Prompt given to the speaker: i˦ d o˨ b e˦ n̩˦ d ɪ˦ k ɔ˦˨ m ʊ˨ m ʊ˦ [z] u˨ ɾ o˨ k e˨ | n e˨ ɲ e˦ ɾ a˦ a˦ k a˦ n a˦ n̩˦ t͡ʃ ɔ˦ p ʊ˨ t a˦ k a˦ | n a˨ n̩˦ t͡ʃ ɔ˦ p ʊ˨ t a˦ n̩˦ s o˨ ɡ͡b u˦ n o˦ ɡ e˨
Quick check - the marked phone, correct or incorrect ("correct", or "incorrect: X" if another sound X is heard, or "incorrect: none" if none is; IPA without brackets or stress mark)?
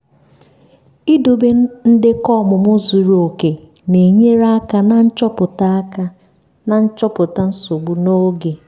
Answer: correct